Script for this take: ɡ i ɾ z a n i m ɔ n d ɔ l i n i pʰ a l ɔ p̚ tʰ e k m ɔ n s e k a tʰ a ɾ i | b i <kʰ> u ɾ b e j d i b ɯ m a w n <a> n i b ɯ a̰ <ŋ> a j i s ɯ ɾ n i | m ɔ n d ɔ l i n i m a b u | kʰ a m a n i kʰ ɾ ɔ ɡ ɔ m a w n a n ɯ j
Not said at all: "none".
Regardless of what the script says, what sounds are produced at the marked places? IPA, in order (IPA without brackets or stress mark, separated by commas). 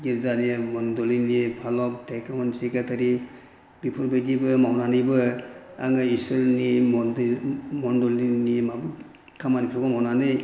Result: pʰ, a, ŋ